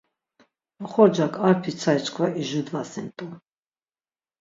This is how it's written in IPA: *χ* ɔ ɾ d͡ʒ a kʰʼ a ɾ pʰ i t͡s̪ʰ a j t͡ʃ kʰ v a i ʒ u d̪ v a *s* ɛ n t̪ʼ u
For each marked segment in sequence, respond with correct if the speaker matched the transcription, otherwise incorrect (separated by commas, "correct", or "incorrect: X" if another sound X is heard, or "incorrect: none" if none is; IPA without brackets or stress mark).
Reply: correct, correct